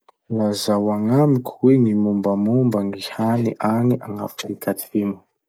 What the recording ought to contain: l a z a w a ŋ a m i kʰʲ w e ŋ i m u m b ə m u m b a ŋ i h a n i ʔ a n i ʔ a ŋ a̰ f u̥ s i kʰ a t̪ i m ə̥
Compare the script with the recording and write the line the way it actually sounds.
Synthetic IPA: l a z a w a ŋ a m i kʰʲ w e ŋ i m u m b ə m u m b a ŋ i h a n i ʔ a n i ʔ a ŋ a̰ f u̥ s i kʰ a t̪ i m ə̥

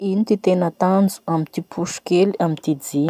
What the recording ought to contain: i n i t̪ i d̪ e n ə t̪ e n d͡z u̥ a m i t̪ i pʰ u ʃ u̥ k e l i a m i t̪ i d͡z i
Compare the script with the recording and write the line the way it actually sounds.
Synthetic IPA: i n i t̪ i t̪ e n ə t̪ a n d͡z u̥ a m i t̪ i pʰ u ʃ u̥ k e l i a m i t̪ i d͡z i

